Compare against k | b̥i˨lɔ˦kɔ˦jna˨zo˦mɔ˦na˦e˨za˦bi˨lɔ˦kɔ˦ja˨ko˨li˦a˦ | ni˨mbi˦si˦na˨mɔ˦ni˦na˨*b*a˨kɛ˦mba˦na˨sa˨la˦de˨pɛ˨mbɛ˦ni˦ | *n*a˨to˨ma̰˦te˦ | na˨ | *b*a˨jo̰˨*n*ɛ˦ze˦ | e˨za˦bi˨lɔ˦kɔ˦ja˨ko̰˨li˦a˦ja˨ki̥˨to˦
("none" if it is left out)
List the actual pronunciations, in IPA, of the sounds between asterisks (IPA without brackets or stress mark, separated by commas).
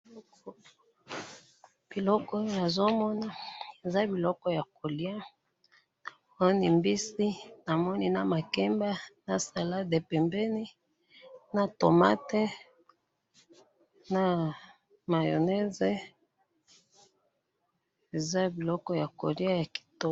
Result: m, n, m, n